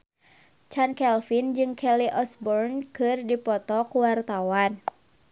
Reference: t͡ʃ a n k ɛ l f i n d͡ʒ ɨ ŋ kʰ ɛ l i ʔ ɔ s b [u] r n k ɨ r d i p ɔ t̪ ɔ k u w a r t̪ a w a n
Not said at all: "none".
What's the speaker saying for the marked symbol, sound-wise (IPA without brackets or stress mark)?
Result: ɔ